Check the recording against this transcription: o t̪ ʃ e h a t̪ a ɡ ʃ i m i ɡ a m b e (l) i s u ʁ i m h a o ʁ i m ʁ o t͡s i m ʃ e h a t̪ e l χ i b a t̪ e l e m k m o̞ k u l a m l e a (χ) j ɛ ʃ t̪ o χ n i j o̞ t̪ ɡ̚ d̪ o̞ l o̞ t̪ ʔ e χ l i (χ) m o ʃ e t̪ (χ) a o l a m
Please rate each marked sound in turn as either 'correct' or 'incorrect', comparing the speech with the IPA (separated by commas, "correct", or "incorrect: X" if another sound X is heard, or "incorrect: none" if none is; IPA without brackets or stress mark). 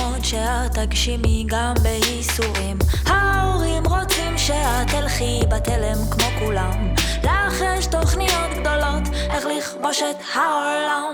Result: incorrect: none, correct, correct, incorrect: h